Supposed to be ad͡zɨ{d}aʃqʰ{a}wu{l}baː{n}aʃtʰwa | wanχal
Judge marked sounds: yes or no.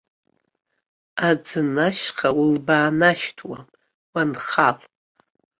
no, yes, yes, yes

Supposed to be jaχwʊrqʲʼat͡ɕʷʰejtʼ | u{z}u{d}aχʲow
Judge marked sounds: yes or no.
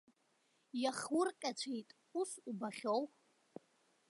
no, no

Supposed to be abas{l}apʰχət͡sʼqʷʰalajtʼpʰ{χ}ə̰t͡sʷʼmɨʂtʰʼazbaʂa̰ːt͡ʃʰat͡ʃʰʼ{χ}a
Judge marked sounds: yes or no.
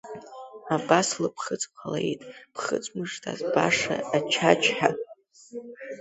yes, yes, no

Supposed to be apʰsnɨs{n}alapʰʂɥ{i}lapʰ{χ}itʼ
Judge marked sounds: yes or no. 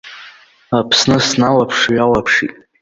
yes, no, no

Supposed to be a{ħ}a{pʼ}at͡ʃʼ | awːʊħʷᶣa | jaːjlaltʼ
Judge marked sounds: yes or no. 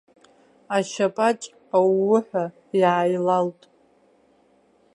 no, yes

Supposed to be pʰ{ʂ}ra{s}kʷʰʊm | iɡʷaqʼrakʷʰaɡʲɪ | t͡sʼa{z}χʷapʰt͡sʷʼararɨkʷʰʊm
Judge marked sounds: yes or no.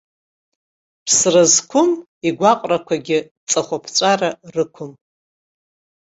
no, no, no

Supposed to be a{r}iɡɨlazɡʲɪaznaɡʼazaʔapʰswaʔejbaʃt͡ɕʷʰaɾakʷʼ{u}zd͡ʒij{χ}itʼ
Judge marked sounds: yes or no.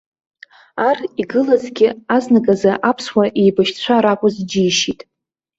yes, no, no

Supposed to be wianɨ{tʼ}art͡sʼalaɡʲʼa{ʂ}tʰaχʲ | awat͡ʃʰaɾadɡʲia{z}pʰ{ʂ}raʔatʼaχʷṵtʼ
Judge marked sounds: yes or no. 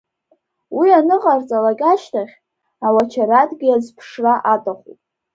no, no, yes, yes

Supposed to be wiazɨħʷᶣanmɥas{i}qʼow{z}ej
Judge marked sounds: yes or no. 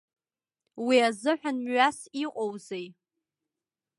yes, yes

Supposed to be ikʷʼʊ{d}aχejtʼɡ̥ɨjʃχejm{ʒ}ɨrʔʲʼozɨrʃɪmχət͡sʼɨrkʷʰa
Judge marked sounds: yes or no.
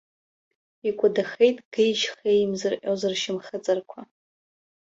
yes, no

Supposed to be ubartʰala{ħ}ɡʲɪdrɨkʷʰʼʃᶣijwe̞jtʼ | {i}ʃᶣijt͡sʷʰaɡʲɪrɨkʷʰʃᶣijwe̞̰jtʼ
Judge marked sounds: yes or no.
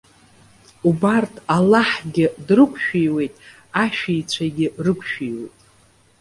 yes, no

